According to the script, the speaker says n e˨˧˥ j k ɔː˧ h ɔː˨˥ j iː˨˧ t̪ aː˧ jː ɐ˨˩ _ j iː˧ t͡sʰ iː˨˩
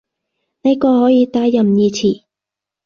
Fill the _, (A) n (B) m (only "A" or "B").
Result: B